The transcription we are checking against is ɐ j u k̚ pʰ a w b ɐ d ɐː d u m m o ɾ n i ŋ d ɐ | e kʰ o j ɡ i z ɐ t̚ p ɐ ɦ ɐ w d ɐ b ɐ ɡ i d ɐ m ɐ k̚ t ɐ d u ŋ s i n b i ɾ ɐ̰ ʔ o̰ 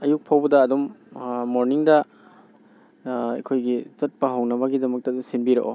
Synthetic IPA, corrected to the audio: ɐ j u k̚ pʰ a w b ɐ d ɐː d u m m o ɾ n i ŋ d ɐ | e kʰ o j ɡ i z ɐ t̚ p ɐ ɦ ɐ w n ɐ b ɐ ɡ i d ɐ m ɐ k̚ t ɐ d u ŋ s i n b i ɾ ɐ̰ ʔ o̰